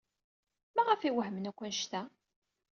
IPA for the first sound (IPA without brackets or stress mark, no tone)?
m